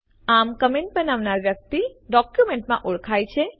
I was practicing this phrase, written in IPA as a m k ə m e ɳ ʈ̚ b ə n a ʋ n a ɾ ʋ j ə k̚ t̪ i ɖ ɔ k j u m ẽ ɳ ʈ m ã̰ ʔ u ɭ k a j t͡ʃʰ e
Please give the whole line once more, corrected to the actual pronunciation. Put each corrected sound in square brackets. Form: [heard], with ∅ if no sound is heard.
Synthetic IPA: a m k ə m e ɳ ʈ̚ b ə n a ʋ n a ɾ ʋ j ə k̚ t̪ i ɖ ɔ k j u m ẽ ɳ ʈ m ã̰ ʔ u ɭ [kʰ] a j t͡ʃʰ e